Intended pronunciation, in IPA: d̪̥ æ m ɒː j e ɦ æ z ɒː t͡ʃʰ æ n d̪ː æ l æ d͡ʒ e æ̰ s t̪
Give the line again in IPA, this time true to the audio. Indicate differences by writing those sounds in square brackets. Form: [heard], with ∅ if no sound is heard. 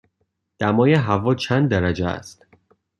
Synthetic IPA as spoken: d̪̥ æ m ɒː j e ɦ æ [v] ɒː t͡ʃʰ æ n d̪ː æ [ɾ] æ d͡ʒ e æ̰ s t̪